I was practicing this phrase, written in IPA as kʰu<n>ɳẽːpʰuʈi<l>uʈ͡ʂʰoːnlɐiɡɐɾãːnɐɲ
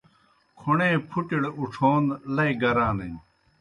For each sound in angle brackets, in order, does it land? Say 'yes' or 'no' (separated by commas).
no, no